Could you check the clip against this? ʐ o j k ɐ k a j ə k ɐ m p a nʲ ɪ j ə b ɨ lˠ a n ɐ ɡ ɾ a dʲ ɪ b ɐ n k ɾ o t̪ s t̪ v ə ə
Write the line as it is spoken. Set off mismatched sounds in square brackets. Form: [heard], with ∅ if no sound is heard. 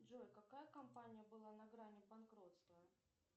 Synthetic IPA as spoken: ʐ o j k ɐ k a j ə k ɐ m p a nʲ ɪ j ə b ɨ lˠ a n ɐ ɡ ɾ a [nʲ] ɪ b ɐ n k ɾ o t̪ s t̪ v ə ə